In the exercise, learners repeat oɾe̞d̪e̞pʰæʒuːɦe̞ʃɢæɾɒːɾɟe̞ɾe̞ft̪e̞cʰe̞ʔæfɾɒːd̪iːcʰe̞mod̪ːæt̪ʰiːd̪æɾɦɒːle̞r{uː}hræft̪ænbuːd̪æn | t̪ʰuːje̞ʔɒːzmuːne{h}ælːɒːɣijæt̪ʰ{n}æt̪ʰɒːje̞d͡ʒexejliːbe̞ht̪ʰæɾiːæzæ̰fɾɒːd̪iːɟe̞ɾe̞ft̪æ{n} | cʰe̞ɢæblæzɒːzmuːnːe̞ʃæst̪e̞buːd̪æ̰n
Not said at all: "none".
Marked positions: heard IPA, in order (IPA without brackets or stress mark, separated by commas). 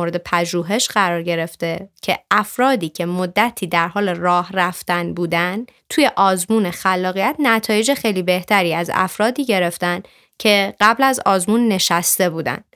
ɒː, x, n, n